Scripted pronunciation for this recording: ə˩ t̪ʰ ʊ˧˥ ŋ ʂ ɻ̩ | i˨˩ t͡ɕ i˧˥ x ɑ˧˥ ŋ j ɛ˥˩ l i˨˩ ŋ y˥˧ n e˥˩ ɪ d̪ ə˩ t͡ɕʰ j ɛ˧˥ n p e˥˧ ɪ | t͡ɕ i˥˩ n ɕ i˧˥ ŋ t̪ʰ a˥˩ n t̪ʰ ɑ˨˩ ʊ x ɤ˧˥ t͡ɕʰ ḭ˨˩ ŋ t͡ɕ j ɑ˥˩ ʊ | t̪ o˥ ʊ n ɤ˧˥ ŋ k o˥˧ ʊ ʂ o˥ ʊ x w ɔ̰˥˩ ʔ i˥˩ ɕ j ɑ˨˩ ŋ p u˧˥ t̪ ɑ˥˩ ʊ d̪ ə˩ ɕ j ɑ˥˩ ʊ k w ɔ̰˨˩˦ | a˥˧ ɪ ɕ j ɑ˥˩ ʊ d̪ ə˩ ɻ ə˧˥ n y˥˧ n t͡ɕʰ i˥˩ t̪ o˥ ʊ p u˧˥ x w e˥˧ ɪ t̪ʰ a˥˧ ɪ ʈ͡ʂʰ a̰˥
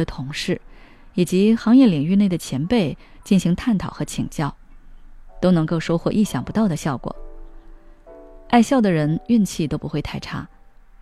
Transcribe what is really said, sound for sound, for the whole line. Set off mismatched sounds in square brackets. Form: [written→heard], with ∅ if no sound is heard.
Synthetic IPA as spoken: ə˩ t̪ʰ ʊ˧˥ ŋ ʂ ɻ̩ | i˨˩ t͡ɕ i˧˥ x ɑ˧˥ ŋ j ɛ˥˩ l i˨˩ ŋ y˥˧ n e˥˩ ɪ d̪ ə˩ t͡ɕʰ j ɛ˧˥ n p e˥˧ ɪ | t͡ɕ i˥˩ n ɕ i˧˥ ŋ t̪ʰ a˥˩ n t̪ʰ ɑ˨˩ ʊ x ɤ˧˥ t͡ɕʰ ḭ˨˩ ŋ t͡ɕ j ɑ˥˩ ʊ | t̪ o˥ ʊ n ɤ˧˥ ŋ k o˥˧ ʊ ʂ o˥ ʊ x w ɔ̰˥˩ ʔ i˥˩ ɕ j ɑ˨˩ ŋ p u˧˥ t̪ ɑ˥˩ ʊ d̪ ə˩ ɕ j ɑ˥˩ ʊ k w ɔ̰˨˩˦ | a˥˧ ɪ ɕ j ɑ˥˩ ʊ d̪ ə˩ ɻ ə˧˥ n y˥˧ n t͡ɕʰ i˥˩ t̪ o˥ ʊ p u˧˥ x w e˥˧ ɪ t̪ʰ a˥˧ ɪ ʈ͡ʂʰ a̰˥